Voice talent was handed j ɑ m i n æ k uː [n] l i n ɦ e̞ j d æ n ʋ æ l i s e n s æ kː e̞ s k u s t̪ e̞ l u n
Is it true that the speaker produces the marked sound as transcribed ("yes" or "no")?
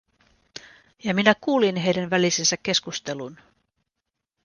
no